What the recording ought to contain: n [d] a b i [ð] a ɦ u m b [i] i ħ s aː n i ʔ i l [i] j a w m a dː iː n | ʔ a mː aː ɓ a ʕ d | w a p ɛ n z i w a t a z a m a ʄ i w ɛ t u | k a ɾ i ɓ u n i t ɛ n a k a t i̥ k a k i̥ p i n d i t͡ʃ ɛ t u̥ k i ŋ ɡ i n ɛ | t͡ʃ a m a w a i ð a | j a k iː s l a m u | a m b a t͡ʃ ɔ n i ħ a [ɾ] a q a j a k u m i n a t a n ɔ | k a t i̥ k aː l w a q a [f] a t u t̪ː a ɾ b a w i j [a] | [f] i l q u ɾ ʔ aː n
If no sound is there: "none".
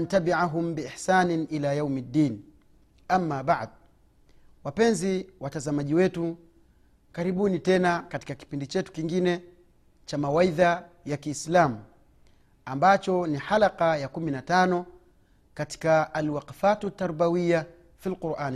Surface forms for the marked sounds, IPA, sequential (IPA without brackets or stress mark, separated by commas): t, ʕ, i, a, l, f, a, f